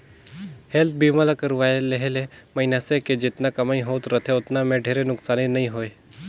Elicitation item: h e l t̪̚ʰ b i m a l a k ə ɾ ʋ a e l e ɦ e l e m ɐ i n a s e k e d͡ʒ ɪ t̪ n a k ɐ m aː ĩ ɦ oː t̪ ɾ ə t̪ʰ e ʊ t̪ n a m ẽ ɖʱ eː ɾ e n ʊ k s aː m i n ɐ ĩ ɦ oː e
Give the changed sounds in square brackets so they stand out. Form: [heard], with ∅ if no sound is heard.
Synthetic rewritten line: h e l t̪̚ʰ b i m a l a k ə ɾ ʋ a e l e ɦ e l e m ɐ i n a s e k e d͡ʒ ɪ t̪ n a k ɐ m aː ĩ ɦ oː t̪ ɾ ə t̪ʰ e ʊ t̪ n a m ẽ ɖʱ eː ɾ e n ʊ k s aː [n] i n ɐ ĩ ɦ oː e